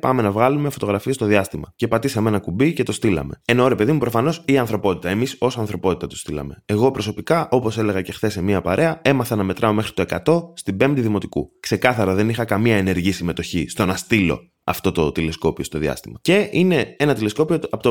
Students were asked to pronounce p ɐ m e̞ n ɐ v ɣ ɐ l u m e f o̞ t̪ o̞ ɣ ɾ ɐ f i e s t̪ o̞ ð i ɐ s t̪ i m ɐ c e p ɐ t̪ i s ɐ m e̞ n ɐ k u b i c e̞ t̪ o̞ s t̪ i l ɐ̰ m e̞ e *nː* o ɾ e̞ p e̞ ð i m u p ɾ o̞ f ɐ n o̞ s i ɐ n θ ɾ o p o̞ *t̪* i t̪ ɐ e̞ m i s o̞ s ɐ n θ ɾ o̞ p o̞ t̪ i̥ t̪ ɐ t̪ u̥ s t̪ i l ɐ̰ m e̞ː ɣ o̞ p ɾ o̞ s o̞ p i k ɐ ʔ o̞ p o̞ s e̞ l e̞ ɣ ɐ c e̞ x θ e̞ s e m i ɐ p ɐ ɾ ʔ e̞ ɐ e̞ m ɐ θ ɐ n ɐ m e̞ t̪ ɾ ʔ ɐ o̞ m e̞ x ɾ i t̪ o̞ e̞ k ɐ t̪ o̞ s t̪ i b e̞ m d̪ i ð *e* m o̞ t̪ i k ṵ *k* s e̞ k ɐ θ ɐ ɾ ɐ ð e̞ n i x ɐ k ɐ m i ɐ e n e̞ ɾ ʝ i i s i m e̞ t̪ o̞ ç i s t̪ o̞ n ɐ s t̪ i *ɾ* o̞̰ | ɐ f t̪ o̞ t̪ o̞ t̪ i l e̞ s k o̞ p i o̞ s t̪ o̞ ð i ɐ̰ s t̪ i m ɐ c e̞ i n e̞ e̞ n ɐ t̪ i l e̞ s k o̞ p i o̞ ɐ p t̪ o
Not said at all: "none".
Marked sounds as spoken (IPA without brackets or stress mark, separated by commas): n, t̪, i, k, l